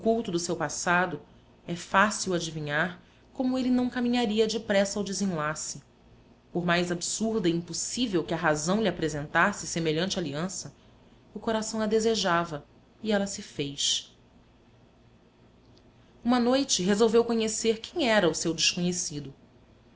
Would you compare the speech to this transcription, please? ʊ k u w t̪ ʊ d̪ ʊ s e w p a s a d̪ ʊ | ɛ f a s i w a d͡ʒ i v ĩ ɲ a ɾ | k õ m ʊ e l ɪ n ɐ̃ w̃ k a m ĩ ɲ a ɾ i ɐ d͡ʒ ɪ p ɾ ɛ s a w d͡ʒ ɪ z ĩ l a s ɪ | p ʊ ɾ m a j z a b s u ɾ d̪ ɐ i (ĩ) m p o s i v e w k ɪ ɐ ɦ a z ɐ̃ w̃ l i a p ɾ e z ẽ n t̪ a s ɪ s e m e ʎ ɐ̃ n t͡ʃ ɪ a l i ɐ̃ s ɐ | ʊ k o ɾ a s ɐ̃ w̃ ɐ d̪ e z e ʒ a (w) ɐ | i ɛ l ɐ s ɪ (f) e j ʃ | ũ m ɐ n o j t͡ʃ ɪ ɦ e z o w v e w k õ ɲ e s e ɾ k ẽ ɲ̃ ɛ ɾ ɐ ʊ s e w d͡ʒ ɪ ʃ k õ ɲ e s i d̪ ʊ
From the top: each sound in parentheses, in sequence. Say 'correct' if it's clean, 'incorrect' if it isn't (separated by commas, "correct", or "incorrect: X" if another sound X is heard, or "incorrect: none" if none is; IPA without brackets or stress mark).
correct, incorrect: v, correct